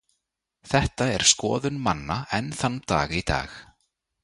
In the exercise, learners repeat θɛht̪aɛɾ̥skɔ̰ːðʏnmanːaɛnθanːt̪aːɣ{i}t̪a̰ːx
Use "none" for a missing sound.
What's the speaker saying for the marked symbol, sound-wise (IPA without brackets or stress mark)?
i